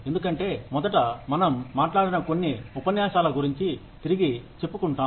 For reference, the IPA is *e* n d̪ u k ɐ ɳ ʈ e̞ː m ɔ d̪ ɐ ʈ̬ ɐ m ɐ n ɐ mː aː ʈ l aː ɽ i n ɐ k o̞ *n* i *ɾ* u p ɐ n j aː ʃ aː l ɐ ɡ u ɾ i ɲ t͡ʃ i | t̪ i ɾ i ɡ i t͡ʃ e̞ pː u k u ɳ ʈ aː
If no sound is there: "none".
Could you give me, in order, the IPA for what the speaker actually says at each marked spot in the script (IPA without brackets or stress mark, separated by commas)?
e, nː, none